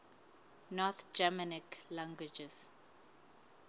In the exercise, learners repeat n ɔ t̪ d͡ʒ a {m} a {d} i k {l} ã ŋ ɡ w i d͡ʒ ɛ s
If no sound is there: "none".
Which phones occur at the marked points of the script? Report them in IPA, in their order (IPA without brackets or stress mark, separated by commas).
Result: m, n, l